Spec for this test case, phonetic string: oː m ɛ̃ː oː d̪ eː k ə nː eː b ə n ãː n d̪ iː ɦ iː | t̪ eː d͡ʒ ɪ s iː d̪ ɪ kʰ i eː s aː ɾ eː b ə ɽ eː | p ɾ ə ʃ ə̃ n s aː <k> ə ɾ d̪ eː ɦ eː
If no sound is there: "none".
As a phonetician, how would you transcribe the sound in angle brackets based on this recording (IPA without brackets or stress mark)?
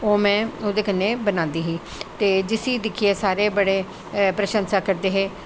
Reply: k